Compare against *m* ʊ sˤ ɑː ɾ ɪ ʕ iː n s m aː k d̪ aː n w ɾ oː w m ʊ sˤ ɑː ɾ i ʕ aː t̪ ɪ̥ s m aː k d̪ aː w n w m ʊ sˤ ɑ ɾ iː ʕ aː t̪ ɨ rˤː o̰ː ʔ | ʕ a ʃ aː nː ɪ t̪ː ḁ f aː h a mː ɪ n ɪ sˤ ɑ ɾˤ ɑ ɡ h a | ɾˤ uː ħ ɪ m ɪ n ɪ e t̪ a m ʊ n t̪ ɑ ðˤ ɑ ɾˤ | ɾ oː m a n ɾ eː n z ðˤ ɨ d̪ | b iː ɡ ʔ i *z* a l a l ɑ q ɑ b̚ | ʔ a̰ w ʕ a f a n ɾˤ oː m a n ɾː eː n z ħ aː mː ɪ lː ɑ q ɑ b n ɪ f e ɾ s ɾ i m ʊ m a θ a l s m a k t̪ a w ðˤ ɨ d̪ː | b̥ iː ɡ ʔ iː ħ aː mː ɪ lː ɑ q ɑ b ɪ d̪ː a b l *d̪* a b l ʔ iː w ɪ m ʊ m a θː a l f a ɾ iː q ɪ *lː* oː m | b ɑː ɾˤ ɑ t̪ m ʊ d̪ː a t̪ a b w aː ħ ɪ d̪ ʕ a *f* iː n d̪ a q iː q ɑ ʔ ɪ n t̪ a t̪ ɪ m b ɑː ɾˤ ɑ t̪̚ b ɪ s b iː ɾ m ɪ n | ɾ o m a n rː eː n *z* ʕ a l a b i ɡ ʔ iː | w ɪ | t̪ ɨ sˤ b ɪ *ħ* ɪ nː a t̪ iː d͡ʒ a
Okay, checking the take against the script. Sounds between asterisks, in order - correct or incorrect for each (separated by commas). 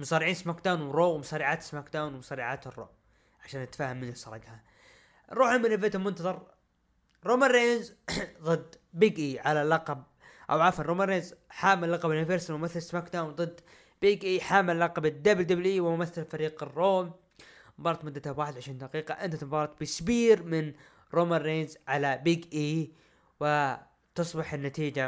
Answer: correct, incorrect, correct, incorrect, incorrect, correct, correct